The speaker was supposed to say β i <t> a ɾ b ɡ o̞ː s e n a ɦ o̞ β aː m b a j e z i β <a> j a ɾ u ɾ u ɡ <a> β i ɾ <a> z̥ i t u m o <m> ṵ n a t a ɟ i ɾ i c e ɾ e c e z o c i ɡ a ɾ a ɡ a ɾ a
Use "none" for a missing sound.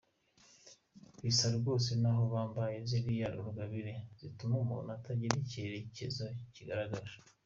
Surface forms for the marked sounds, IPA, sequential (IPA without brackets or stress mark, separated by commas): s, i, a, e, m